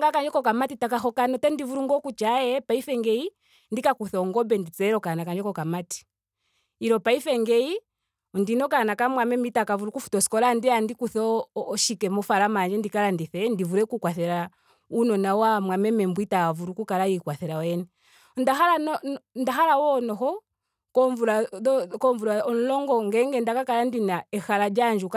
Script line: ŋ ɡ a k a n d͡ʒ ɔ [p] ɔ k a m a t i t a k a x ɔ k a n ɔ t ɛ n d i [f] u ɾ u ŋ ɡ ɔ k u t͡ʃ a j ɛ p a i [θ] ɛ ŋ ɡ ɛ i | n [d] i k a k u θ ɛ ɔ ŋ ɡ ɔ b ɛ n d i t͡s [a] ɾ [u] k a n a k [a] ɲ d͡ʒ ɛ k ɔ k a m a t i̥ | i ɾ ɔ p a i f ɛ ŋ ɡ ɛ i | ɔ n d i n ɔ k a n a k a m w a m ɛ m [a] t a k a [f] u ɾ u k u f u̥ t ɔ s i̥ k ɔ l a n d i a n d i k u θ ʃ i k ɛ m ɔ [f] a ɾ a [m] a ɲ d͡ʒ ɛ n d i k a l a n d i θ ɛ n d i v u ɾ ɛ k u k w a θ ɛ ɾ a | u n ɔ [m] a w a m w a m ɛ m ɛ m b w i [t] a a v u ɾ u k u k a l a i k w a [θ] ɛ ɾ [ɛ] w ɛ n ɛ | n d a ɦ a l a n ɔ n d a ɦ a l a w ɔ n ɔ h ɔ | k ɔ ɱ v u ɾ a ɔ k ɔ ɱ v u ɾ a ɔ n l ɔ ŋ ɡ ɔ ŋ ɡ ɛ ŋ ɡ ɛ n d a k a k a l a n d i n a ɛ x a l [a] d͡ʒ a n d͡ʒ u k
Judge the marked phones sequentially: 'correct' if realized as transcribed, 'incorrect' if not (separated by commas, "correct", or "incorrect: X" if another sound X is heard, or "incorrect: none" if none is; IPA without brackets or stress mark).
incorrect: k, incorrect: v, incorrect: f, correct, incorrect: ɛ, incorrect: ɔ, correct, incorrect: i, incorrect: v, correct, correct, incorrect: n, correct, correct, incorrect: a, correct